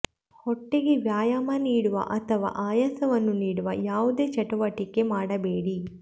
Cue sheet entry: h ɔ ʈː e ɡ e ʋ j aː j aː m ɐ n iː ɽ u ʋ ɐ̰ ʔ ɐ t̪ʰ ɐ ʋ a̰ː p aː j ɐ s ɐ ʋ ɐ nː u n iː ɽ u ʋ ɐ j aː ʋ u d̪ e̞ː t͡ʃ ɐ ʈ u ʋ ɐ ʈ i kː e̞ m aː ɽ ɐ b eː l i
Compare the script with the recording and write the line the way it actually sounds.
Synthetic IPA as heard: h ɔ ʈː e ɡ e ʋ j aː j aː m ɐ n iː ɽ u ʋ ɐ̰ ʔ ɐ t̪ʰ ɐ ʋ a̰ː ʔ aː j ɐ s ɐ ʋ ɐ nː u n iː ɽ u ʋ ɐ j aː ʋ u d̪ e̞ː t͡ʃ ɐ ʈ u ʋ ɐ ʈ i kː e̞ m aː ɽ ɐ b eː ɽ i